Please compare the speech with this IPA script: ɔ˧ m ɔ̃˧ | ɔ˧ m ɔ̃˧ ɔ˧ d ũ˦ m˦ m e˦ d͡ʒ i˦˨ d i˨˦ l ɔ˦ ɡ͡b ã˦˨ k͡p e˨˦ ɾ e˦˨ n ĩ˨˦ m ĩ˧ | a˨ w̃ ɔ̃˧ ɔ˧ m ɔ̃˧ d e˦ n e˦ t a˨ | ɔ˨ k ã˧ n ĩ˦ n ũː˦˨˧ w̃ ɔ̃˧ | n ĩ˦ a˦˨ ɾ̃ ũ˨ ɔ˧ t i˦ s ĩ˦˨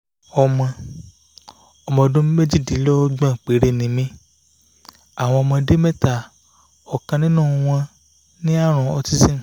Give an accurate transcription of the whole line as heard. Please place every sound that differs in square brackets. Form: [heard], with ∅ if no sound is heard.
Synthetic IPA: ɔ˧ m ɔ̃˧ | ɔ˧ m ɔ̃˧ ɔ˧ d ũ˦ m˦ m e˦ d͡ʒ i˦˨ d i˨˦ l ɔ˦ ɡ͡b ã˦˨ k͡p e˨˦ ɾ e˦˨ n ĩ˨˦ m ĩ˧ | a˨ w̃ ɔ̃˧ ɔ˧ m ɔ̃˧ d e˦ [m] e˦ t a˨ | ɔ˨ k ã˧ n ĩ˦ n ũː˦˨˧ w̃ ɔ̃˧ | n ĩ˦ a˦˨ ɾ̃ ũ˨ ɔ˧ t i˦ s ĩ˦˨